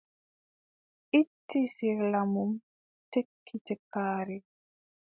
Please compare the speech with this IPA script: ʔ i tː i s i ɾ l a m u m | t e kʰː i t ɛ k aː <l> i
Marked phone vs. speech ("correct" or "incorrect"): incorrect